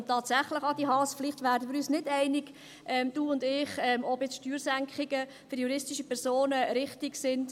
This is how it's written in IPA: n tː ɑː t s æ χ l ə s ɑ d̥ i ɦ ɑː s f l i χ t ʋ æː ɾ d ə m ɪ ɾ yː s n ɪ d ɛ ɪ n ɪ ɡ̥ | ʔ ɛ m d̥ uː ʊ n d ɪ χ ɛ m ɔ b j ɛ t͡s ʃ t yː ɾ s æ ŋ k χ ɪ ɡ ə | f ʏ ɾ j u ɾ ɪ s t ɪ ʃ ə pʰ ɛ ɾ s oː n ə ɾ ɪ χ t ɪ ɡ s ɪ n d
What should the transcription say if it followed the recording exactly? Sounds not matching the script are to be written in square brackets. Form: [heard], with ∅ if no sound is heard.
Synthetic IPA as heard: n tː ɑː t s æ χ l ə [χ] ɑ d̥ i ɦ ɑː s f l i χ t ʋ æː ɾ d ə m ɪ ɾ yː s n ɪ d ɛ ɪ n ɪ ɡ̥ | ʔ ɛ m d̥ uː ʊ n d ɪ χ ɛ m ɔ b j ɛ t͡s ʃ t yː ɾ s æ ŋ k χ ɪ ɡ ə | f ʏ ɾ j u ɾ ɪ s t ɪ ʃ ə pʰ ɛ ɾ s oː n ə ɾ ɪ χ t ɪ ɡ s ɪ n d